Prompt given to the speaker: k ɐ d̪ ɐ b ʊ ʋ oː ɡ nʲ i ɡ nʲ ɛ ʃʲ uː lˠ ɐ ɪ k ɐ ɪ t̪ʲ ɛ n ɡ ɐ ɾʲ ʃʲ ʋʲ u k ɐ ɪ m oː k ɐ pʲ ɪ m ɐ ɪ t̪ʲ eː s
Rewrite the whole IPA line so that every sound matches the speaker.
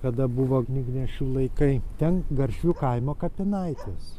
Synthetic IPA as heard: k ɐ d̪ ɐ b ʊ ʋ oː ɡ nʲ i ɡ nʲ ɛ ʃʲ uː lˠ ɐ ɪ k ɐ ɪ t̪ʲ ɛ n ɡ ɐ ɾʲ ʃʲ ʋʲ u k ɐ ɪ m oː k ɐ pʲ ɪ n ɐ ɪ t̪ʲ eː s